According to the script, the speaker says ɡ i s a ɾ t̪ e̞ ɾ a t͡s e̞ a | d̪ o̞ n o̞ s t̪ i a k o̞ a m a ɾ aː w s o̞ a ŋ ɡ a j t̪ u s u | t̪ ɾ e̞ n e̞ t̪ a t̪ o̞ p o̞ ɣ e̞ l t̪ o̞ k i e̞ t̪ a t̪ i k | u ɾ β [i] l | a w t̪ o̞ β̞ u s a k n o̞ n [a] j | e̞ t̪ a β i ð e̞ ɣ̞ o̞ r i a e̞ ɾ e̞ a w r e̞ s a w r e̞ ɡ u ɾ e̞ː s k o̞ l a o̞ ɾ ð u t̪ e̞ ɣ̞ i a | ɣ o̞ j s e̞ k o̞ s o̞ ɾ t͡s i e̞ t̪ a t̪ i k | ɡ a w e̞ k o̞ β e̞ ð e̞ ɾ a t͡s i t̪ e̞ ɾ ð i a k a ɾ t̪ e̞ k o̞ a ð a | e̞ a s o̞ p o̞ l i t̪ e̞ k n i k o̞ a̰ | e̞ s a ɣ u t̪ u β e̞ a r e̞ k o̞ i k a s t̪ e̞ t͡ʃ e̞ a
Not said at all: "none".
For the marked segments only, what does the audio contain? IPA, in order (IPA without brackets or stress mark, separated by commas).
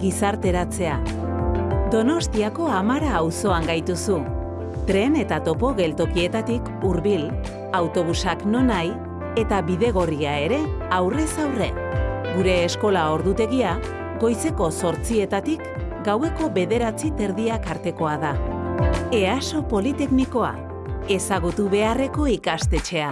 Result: i, a